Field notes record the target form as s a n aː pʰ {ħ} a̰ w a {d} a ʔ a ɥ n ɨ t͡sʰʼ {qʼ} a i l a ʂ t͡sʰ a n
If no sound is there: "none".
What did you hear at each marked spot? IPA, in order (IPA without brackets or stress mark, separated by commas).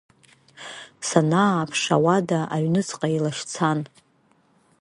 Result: ʂ, d, qʼ